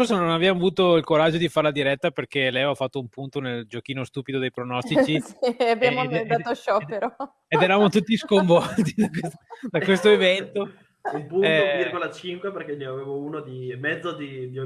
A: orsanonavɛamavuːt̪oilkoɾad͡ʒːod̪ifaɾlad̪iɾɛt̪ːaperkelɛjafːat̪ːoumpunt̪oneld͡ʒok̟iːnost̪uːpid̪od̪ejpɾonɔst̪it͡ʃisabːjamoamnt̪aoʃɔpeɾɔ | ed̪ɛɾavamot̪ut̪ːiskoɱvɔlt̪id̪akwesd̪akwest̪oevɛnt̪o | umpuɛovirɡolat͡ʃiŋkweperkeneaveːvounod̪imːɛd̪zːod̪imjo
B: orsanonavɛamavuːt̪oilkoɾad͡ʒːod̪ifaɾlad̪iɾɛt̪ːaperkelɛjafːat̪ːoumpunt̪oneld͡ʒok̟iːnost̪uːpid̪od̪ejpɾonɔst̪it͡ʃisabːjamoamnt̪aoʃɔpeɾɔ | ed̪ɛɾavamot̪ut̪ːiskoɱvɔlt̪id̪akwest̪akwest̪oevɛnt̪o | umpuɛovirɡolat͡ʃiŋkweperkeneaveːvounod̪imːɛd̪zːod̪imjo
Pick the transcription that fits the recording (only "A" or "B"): A